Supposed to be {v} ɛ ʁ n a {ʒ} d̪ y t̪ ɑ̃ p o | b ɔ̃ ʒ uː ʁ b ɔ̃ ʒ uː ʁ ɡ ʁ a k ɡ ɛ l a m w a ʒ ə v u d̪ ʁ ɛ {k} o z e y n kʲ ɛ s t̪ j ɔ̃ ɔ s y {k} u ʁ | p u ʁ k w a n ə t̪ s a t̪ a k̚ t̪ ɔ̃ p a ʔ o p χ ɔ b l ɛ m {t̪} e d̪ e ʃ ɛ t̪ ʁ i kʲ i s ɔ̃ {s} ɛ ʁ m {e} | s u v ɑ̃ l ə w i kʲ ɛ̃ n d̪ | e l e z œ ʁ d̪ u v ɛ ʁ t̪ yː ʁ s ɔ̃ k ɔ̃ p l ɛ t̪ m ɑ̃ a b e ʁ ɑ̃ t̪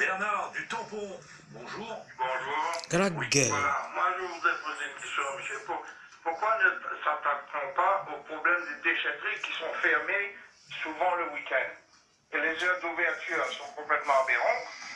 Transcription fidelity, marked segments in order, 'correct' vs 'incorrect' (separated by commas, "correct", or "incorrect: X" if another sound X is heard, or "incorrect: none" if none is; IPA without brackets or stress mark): incorrect: b, incorrect: ʁ, incorrect: p, incorrect: p, incorrect: d̪, incorrect: f, correct